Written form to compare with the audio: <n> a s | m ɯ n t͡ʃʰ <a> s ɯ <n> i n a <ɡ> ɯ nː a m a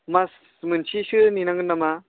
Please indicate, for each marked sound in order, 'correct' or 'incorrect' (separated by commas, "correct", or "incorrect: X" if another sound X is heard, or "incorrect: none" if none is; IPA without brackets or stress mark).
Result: incorrect: m, incorrect: i, correct, incorrect: ŋ